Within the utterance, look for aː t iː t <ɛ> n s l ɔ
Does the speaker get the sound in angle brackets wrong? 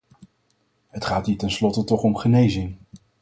no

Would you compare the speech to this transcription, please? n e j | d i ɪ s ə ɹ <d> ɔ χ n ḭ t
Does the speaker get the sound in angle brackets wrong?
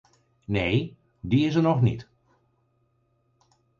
yes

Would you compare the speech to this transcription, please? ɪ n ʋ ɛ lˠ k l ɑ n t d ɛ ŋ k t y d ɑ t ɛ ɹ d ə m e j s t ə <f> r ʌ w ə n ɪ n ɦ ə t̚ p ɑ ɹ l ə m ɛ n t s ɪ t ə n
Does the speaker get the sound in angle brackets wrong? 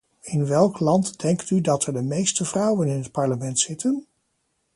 yes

